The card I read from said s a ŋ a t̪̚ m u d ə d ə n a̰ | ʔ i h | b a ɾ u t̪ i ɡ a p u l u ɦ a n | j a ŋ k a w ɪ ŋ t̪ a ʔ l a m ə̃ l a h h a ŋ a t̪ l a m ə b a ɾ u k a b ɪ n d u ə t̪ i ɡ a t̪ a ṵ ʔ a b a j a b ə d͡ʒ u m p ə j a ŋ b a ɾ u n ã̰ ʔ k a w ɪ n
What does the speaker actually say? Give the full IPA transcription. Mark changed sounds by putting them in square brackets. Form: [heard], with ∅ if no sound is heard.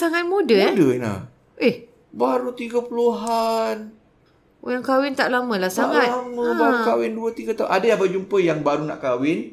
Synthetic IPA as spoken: s a ŋ a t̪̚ m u d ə d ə n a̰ | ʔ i h | b a ɾ u t̪ i ɡ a p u l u ɦ a n | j a ŋ k a w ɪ [n] t̪ a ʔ l a m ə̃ l a h [s] a ŋ a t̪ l a m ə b a ɾ u k a [w] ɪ n d u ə t̪ i ɡ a t̪ a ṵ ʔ a [d] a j a b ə d͡ʒ u m p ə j a ŋ b a ɾ u n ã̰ ʔ k a w ɪ n